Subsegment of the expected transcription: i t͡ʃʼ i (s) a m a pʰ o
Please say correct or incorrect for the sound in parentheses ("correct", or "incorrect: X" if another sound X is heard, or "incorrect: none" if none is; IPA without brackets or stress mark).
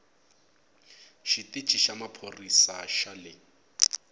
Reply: incorrect: ʃ